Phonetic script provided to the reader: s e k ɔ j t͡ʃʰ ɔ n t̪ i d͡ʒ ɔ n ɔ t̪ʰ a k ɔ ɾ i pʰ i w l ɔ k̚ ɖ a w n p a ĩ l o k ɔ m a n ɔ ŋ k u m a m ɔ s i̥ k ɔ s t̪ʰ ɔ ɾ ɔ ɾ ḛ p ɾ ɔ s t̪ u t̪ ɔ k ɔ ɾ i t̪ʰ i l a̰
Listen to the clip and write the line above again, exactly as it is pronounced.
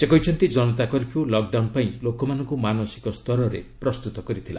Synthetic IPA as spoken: s e k ɔ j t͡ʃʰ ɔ n t̪ i d͡ʒ ɔ n ɔ t̪ a k ɔ ɾ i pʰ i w l ɔ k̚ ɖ a w n p a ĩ l o k ɔ m a n ɔ ŋ k u m a n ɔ s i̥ k ɔ s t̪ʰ ɔ ɾ ɔ ɾ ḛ p ɾ ɔ s t̪ u t̪ ɔ k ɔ ɾ i t̪ʰ i l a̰